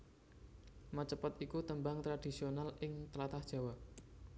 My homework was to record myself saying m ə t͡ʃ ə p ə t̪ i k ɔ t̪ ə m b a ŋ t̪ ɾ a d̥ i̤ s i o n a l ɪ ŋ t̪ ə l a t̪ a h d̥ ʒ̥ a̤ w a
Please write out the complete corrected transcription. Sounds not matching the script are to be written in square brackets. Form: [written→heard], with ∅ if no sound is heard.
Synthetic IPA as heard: m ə t͡ʃ ə p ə t̪ i k [ɔ→u] t̪ ə m b a ŋ t̪ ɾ a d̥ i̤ s i o n a l ɪ ŋ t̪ ə l a t̪ a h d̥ ʒ̥ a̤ w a